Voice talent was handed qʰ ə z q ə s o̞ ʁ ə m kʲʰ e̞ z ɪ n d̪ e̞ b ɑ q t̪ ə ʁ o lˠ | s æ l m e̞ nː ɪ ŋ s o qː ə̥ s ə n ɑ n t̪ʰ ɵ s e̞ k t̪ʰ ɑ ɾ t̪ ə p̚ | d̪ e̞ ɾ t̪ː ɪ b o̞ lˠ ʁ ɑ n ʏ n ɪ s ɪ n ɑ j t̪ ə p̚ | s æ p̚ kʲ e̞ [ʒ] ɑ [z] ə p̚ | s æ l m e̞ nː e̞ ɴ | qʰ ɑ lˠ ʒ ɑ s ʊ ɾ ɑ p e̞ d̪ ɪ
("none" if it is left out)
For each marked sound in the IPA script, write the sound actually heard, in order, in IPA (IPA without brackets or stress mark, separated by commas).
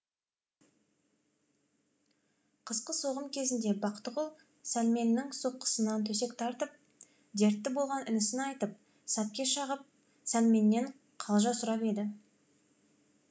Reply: ʃ, ʁ